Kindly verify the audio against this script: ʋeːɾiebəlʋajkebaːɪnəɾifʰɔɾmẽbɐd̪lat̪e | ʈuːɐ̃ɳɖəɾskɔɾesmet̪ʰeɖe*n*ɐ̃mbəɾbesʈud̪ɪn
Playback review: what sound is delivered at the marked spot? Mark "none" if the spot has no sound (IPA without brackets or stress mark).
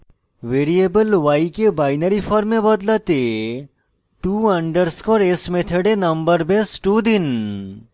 n